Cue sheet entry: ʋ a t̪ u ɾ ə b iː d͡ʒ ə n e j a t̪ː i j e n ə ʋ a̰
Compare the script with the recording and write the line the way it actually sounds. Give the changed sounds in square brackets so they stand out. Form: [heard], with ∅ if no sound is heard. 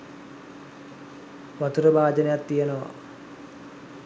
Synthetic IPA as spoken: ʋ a t̪ u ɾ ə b [aː] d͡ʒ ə n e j a t̪ː i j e n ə ʋ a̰